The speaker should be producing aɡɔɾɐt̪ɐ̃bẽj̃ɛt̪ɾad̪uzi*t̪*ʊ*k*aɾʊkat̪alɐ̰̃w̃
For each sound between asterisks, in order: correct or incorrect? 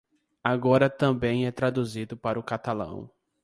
incorrect: d̪, incorrect: p

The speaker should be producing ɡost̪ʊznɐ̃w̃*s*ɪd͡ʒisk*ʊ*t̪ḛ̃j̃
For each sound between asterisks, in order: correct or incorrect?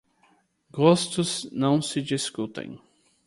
correct, incorrect: u

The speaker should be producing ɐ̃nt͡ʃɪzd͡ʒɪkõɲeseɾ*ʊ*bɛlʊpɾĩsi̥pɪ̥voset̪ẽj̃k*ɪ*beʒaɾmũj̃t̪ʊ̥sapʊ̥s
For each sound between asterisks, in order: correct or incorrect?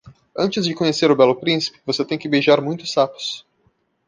correct, correct

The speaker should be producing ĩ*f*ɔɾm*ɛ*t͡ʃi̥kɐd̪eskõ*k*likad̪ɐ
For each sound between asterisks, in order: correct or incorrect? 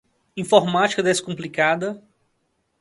correct, incorrect: a, incorrect: p

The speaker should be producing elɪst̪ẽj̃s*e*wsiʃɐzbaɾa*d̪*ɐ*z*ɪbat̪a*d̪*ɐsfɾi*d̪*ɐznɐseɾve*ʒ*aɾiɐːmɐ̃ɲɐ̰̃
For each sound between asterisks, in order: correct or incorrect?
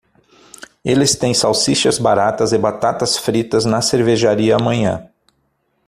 incorrect: a, incorrect: t̪, correct, incorrect: t̪, incorrect: t̪, correct

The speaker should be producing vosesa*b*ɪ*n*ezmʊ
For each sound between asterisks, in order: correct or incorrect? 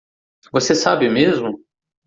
correct, incorrect: m

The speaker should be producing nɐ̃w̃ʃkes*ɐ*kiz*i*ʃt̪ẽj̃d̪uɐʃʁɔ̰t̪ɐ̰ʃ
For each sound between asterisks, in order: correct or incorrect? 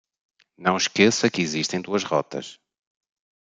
correct, correct

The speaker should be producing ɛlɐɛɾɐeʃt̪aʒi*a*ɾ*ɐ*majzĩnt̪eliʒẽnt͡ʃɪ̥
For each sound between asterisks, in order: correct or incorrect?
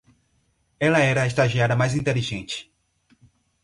correct, correct

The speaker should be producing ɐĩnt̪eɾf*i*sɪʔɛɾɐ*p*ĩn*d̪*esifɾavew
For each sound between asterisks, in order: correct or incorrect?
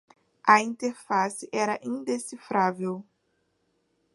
incorrect: a, incorrect: ʔ, correct

